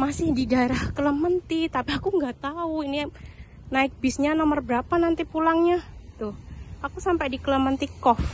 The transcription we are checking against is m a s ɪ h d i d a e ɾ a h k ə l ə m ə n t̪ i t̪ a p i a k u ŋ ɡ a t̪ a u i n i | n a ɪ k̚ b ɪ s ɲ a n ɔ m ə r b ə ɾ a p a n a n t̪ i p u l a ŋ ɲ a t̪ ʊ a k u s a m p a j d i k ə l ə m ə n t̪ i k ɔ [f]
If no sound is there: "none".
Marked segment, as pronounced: f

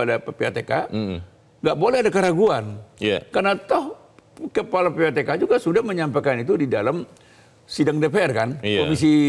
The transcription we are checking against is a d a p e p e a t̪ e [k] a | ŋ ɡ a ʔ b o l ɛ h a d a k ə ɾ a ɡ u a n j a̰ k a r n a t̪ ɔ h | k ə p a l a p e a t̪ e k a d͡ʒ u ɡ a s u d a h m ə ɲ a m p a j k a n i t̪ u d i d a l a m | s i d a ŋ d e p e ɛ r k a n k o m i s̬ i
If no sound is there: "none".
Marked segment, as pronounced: k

